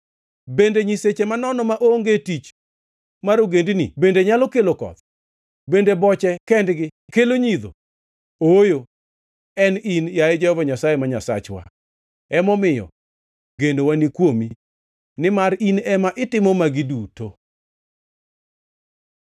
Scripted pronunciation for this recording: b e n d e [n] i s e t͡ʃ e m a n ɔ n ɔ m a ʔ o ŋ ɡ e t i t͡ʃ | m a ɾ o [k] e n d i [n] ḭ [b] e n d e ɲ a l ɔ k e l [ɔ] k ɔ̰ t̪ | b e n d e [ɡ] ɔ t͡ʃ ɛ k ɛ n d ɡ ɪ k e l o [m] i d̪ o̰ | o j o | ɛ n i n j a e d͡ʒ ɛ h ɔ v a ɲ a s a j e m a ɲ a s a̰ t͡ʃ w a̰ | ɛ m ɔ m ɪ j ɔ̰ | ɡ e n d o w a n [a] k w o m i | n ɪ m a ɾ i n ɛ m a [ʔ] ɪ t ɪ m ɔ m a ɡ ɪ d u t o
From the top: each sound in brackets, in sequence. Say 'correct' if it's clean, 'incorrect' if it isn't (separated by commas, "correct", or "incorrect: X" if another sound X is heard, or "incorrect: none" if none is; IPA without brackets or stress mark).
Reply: incorrect: ɲ, incorrect: ɡ, correct, correct, incorrect: o, incorrect: b, incorrect: ɲ, incorrect: i, correct